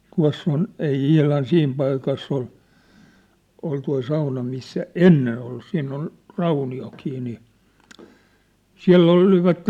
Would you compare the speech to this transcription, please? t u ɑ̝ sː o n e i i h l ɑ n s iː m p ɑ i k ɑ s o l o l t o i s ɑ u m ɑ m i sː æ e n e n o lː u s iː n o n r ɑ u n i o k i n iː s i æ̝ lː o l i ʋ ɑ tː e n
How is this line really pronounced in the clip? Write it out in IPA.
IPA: t u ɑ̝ sː o n e i i h l ɑ n s iː m p ɑ i k ɑ sː o l o l t o i s ɑ u n ɑ m i sː æ e nː e n o lː u s iː n o n r ɑ u n i o k i n iː s i æ̝ lː o l i ʋ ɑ tː e n